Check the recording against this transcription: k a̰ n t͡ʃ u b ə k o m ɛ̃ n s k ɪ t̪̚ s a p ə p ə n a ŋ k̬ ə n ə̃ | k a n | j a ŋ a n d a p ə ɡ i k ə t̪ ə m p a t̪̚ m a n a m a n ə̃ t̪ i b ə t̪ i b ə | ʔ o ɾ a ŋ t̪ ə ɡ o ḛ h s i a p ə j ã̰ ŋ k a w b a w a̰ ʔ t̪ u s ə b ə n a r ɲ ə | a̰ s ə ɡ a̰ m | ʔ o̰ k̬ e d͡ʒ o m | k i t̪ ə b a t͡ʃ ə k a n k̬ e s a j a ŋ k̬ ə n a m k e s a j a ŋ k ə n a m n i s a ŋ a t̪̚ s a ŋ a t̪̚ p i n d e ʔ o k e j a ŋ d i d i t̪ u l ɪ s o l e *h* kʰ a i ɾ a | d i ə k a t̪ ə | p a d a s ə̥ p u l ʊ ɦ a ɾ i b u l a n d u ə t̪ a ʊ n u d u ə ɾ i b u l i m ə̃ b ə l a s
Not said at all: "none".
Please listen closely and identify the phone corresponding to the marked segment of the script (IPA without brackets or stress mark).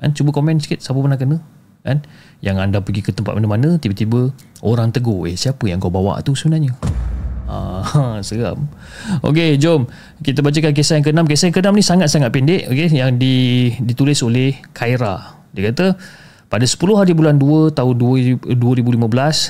h